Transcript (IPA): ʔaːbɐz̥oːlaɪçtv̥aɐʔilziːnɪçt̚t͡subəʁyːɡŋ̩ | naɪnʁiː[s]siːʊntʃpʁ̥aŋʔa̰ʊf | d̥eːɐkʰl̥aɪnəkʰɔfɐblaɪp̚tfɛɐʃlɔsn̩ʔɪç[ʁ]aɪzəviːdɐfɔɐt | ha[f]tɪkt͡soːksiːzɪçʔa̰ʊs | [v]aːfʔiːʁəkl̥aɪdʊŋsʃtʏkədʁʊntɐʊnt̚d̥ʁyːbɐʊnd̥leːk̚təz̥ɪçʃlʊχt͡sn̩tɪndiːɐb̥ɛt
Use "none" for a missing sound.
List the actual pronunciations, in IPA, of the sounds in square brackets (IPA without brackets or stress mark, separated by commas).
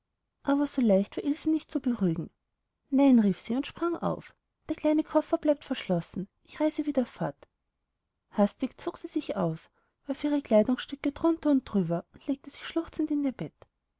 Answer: f, ʁ, s, v